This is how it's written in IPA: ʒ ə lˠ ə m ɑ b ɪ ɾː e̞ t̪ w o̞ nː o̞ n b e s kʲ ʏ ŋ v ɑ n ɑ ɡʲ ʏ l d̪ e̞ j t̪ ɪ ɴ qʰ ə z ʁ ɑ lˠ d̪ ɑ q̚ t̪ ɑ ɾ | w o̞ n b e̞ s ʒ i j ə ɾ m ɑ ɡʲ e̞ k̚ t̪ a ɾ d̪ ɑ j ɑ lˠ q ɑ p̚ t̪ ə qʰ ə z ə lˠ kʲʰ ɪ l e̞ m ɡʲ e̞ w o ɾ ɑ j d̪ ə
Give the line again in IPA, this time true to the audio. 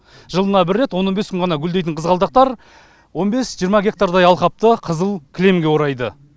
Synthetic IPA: ʒ ə lˠ ə n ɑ b ɪ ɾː e̞ t̪ w o̞ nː o̞ n b e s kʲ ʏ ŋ ʁ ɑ n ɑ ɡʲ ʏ l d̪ e̞ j t̪ ɪ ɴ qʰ ə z ʁ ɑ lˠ d̪ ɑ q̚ t̪ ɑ ɾ | w o̞ n b e̞ s ʒ i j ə ɾ m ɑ ɡʲ e̞ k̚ t̪ a ɾ d̪ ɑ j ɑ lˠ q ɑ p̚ t̪ ə qʰ ə z ə lˠ kʲʰ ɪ l e̞ m ɡʲ e̞ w o ɾ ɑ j d̪ ə